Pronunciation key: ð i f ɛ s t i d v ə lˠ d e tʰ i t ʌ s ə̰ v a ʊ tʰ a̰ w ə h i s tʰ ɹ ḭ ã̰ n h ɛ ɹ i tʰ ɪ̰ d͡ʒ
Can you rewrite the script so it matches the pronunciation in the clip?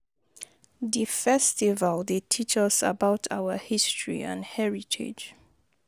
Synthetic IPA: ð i f ɛ s t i v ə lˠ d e tʰ i t͡ʃ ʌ s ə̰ b a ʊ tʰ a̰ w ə h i s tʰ ɹ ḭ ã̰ n h ɛ ɹ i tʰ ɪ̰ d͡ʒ